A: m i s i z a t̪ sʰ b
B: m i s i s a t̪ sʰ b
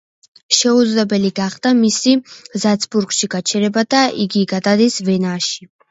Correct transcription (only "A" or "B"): A